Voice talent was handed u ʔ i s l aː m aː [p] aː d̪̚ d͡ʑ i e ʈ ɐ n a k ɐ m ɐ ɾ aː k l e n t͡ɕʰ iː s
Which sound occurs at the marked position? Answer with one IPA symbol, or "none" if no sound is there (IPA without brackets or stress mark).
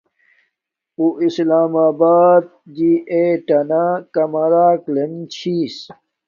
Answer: b